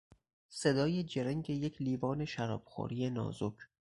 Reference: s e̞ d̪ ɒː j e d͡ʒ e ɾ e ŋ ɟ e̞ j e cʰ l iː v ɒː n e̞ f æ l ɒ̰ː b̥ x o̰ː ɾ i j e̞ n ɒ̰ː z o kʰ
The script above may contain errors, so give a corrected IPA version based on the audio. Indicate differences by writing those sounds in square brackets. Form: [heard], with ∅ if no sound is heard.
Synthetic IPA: s e̞ d̪ ɒː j e d͡ʒ e ɾ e ŋ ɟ e̞ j e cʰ l iː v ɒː n e̞ [ʃ] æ [ɾ] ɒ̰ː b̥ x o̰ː ɾ i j e̞ n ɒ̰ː z o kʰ